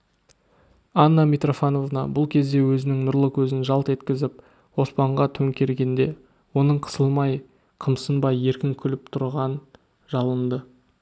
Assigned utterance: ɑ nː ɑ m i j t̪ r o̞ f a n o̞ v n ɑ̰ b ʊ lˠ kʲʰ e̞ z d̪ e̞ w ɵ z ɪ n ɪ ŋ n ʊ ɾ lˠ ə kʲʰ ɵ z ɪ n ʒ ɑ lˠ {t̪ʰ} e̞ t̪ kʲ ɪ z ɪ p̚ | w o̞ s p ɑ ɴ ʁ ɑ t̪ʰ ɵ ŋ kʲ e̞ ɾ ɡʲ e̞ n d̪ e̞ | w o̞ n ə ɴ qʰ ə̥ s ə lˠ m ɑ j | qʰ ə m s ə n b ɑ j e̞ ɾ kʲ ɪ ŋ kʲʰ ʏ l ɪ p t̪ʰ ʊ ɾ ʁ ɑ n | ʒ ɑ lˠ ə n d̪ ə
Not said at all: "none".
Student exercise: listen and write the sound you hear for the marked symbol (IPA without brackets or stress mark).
t̪